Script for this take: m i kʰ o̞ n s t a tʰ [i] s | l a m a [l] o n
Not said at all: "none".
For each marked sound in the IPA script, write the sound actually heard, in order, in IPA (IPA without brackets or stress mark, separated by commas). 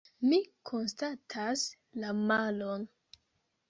a, l